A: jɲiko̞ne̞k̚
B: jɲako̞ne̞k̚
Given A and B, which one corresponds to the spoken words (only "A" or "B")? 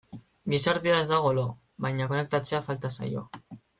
B